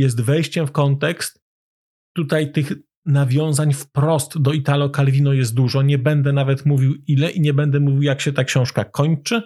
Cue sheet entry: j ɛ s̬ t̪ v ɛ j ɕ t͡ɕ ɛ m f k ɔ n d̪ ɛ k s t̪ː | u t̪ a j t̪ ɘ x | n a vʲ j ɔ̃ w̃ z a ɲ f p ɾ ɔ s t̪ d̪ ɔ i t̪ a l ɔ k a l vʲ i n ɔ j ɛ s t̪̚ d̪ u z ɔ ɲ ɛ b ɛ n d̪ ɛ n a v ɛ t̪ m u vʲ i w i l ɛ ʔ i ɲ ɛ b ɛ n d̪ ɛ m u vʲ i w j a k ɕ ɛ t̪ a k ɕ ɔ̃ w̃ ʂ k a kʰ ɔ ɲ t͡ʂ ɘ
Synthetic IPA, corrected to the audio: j ɛ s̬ t̪ v ɛ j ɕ t͡ɕ ɛ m f k ɔ n t̪ ɛ k s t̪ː | u t̪ a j t̪ ɘ x | n a vʲ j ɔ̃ w̃ z a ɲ f p ɾ ɔ s t̪ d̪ ɔ i t̪ a l ɔ k a l vʲ i n ɔ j ɛ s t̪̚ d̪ u ʐ ɔ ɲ ɛ b ɛ n d̪ ɛ n a v ɛ t̪ m u vʲ i w i l ɛ ʔ i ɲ ɛ b ɛ n d̪ ɛ m u vʲ i w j a k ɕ ɛ t̪ a k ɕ ɔ̃ w̃ ʂ k a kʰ ɔ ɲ t͡ʂ ɘ